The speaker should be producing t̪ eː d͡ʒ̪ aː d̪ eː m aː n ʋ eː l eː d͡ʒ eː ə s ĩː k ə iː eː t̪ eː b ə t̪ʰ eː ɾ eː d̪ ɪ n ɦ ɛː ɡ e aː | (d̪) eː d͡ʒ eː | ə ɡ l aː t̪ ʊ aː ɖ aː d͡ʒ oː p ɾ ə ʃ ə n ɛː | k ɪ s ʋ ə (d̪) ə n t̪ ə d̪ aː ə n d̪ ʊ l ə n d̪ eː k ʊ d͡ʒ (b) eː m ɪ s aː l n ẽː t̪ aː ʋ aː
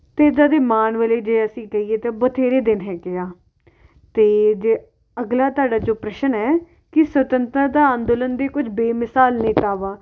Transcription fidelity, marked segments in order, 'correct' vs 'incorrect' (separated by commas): incorrect, incorrect, correct